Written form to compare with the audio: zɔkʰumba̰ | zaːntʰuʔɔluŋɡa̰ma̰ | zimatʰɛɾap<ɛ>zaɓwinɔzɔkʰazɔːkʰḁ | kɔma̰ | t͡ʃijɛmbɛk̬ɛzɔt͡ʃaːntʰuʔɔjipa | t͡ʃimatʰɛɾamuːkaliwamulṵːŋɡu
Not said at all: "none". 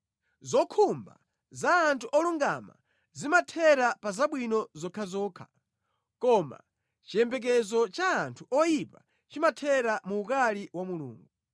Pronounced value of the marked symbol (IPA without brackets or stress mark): a